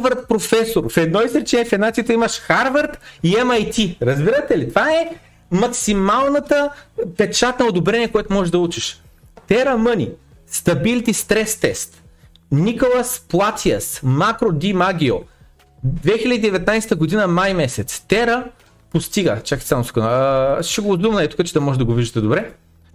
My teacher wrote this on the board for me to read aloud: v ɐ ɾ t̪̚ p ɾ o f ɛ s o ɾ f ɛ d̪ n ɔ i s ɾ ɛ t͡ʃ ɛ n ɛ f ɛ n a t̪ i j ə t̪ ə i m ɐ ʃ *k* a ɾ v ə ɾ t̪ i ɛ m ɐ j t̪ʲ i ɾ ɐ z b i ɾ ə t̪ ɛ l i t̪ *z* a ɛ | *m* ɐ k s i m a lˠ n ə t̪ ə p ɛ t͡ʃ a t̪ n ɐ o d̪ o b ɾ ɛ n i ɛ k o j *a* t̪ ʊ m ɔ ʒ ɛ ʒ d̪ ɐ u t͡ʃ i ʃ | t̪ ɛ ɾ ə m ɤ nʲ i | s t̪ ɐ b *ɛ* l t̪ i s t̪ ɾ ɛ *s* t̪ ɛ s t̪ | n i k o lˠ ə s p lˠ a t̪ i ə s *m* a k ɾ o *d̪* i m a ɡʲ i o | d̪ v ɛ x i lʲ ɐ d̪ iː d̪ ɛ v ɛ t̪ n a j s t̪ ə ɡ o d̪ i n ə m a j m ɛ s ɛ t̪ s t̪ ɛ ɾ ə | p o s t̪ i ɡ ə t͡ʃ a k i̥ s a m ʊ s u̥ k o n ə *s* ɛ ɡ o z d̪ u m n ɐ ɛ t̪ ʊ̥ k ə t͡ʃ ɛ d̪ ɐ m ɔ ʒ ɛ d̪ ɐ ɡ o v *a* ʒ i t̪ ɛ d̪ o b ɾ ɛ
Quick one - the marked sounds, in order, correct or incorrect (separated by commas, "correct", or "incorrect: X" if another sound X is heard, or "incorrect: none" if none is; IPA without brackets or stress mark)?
incorrect: x, incorrect: v, correct, incorrect: ɛ, incorrect: i, correct, correct, correct, incorrect: ʃ, incorrect: i